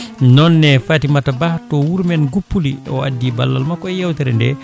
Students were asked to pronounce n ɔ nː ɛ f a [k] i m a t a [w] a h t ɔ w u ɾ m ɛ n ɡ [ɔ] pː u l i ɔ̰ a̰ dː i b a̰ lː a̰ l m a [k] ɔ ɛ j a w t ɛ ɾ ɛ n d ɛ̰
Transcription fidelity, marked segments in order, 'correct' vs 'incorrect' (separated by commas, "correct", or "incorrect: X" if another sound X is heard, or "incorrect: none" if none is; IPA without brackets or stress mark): incorrect: t, incorrect: b, incorrect: u, correct